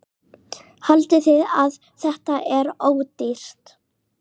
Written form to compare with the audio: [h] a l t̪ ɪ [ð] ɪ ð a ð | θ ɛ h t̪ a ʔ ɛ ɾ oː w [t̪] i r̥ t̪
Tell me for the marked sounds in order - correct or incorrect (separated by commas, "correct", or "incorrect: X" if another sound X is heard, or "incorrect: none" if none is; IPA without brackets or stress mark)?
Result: correct, incorrect: θ, correct